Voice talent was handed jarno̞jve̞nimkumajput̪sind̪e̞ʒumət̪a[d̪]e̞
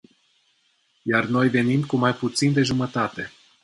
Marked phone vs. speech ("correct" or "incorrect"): incorrect